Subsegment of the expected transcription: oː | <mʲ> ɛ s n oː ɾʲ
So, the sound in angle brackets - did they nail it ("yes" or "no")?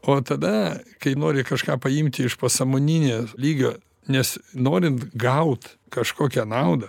no